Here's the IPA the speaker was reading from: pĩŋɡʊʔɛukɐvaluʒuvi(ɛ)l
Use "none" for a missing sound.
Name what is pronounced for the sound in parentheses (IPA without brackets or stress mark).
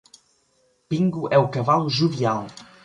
a